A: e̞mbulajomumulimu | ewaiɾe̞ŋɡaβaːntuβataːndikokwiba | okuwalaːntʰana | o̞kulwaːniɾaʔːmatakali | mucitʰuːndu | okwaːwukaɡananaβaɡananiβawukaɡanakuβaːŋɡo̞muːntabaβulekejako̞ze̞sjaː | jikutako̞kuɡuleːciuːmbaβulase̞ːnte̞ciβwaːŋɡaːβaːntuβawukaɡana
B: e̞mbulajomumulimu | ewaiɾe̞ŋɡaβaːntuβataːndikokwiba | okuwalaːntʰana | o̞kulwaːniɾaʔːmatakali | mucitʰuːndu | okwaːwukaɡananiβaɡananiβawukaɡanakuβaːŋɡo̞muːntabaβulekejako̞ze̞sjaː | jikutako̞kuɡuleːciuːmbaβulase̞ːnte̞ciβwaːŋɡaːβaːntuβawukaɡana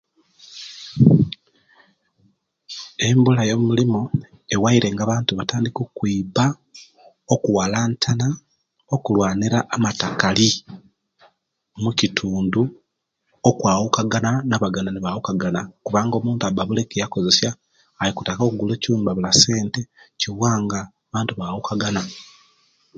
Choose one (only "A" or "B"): A